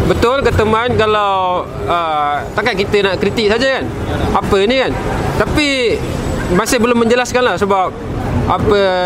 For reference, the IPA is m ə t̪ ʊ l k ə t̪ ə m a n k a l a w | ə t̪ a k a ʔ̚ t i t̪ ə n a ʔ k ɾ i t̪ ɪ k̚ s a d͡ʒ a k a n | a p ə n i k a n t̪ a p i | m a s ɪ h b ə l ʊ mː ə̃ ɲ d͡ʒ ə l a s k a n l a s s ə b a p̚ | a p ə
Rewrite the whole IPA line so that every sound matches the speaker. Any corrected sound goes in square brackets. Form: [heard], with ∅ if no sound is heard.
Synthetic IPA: [b] ə t̪ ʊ l k ə t̪ ə m a n k a l a w | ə t̪ a k a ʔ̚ [k] i t̪ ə n a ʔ k ɾ i t̪ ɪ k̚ s a d͡ʒ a k a n | a p ə n i k a n t̪ a p i | m a s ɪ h b ə l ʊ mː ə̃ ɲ d͡ʒ ə l a s k a n l a [h] s ə b a p̚ | a p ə